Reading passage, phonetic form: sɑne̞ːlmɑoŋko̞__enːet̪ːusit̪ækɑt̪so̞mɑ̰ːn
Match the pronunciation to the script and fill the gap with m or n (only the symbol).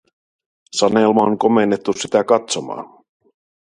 m